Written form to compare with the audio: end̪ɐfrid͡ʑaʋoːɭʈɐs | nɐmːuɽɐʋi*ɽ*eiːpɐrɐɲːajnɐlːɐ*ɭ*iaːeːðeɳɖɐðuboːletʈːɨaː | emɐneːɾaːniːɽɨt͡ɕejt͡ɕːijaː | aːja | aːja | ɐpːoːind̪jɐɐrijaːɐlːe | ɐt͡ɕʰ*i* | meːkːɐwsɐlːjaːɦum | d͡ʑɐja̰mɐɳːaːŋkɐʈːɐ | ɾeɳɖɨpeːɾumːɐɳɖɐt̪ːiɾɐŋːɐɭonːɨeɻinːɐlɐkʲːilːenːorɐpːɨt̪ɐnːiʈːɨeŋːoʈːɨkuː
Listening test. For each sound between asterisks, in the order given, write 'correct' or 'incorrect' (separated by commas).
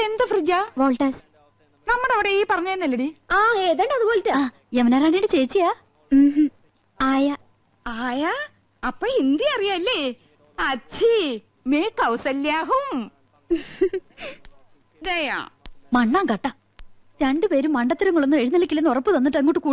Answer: correct, incorrect, correct